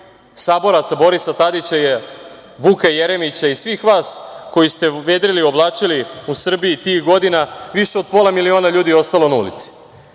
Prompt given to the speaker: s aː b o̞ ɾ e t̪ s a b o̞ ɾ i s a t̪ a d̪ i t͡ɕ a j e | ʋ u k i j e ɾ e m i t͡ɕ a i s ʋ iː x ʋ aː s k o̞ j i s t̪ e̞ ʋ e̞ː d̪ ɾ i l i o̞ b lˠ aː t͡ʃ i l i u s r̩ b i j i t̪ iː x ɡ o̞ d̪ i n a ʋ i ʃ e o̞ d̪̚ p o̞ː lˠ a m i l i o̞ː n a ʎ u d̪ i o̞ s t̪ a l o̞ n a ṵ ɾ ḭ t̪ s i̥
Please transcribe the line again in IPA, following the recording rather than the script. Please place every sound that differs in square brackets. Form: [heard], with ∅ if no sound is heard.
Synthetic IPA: s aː b o̞ ɾ [a] t̪ s a b o̞ ɾ i s a t̪ a d̪ i t͡ɕ a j e | ʋ u k [a] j e ɾ e m i t͡ɕ a i s ʋ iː x ʋ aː s k o̞ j i s t̪ e̞ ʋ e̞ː d̪ ɾ i l i o̞ b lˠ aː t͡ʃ i l i u s r̩ b i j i t̪ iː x ɡ o̞ d̪ i n a ʋ i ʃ e o̞ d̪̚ p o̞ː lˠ a m i l i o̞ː n a ʎ [uː] d̪ i o̞ s t̪ a l o̞ n a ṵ [l] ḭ t̪ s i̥